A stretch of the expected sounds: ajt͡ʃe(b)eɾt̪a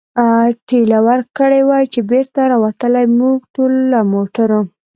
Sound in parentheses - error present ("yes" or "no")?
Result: no